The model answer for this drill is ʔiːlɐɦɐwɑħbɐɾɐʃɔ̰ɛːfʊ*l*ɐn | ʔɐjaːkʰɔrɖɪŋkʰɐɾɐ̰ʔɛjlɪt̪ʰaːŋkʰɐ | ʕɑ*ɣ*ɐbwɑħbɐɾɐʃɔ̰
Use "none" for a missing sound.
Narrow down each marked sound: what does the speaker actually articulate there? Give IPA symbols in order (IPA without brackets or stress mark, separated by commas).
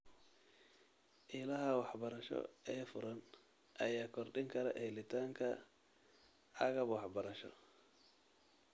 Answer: ɾ, ɣ